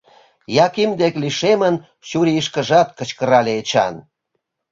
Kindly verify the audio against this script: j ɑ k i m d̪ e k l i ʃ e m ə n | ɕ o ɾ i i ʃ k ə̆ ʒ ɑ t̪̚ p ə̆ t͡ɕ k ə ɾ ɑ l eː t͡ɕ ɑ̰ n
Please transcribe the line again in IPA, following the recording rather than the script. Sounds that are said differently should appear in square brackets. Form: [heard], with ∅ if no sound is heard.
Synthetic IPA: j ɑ k i m d̪ e k l i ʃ e m ə n | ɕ [u] ɾ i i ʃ k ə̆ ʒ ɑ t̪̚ [k] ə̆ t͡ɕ k ə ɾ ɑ l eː t͡ɕ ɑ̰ n